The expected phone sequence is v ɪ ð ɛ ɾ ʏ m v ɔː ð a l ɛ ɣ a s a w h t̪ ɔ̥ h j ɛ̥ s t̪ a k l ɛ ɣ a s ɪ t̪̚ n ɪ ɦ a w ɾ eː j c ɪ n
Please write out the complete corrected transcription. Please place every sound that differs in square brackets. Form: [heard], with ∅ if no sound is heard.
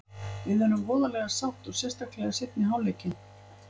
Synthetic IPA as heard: v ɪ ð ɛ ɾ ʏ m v ɔː ð a l ɛ ɣ a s a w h t̪ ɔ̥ [s] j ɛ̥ s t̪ a k l ɛ ɣ a s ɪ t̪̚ n ɪ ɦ a w [l] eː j c ɪ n